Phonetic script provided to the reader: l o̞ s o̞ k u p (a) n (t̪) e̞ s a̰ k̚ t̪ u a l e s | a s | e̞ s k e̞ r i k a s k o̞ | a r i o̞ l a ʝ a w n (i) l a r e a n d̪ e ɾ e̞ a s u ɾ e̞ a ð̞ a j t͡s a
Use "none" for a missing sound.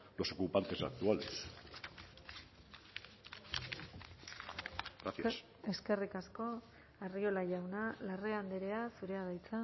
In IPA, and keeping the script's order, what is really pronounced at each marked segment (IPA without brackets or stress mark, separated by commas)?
a, t̪, a